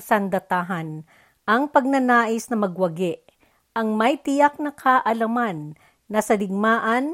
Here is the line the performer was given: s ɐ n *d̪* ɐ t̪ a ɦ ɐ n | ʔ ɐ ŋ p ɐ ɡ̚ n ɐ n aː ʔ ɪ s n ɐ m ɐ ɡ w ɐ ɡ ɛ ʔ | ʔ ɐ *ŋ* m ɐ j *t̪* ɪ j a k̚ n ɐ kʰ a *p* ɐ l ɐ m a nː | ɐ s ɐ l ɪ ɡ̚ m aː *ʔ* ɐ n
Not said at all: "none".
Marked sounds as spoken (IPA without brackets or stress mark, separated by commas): d̪, ŋ, t̪, ʔ, ʔ